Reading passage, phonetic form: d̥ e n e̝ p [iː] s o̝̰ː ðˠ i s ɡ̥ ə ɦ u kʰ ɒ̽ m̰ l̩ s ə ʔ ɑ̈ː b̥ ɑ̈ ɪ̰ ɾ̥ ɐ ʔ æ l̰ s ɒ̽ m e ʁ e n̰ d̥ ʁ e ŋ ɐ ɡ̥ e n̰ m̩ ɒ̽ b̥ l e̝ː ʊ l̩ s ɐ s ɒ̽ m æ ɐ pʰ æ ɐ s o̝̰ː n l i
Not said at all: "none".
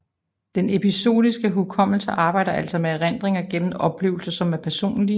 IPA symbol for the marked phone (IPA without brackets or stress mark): i